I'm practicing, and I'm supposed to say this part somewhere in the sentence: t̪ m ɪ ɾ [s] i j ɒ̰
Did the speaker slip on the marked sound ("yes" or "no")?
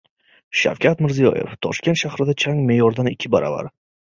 yes